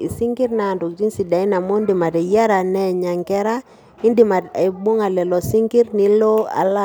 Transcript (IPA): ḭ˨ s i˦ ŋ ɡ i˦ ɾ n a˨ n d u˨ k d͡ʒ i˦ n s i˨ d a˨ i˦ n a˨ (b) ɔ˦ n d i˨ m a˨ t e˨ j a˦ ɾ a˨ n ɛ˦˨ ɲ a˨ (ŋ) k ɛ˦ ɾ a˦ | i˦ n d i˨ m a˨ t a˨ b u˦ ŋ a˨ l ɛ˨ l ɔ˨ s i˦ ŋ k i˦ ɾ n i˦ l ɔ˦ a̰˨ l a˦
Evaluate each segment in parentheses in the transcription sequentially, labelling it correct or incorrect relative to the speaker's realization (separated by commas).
incorrect, correct